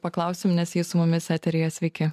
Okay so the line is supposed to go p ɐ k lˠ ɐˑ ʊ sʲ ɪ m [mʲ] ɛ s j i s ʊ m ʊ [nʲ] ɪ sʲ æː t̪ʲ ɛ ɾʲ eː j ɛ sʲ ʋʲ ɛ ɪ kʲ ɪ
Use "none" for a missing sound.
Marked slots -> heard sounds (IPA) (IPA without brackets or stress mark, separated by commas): nʲ, mʲ